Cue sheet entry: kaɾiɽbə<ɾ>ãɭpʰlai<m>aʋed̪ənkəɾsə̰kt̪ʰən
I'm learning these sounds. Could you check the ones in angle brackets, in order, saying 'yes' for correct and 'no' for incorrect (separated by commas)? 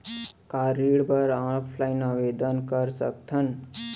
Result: yes, no